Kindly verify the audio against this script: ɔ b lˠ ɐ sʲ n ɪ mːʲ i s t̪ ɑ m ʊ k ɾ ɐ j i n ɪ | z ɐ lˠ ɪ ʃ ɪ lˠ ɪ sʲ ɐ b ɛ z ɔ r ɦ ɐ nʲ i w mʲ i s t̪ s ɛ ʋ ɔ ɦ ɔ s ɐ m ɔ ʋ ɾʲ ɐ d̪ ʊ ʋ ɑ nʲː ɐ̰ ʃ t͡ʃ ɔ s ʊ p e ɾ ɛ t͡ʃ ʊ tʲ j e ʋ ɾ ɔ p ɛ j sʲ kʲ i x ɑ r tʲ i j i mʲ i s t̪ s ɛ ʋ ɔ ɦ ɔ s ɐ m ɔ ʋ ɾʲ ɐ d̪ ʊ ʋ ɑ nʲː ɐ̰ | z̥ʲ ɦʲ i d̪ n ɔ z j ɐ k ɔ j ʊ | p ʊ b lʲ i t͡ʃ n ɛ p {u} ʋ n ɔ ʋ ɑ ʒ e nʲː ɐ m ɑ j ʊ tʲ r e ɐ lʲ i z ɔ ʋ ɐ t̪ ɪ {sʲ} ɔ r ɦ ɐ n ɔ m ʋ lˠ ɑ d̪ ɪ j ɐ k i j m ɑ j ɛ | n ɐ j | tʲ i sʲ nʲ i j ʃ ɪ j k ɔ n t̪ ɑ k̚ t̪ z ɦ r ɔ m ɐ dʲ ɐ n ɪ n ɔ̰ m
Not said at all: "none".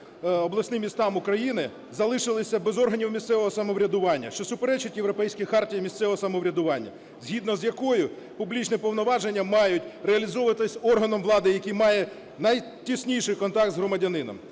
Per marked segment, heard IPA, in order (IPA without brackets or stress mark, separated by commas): ɔ, sʲ